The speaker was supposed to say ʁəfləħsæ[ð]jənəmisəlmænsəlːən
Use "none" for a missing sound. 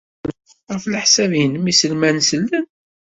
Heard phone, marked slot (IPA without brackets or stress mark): v